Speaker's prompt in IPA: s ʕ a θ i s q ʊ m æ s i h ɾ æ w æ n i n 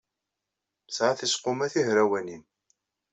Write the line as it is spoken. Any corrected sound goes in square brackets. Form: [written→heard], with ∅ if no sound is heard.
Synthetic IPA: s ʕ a θ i s q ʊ m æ [s→θ] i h ɾ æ w æ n i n